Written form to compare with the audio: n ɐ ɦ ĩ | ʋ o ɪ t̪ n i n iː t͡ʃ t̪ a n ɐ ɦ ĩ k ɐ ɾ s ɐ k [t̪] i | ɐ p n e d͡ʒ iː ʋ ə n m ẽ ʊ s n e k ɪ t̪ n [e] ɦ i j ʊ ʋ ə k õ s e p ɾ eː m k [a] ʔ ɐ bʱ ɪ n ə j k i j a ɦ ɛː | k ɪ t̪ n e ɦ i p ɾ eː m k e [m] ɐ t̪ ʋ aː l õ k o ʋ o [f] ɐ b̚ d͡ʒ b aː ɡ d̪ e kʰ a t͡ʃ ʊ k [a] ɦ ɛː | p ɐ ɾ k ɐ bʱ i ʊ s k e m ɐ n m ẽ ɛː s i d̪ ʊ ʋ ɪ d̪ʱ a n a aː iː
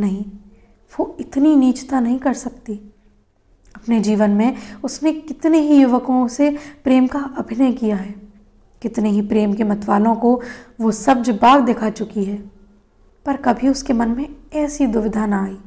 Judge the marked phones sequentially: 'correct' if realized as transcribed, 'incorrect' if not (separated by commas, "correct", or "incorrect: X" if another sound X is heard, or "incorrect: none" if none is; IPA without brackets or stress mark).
correct, correct, correct, correct, incorrect: s, incorrect: i